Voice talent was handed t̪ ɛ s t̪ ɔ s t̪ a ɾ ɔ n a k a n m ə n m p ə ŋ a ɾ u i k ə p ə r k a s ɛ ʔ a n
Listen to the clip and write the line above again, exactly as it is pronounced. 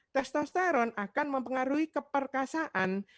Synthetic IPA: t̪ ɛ s t̪ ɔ s t̪ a ɾ ɔ n a k a n m ə m p ə ŋ a ɾ u i k ə p ə r k a s a ʔ a n